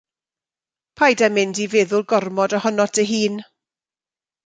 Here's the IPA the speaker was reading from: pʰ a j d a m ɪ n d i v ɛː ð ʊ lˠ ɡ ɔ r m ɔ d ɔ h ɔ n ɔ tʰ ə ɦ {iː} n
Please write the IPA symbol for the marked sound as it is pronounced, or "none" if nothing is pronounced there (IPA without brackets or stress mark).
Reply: iː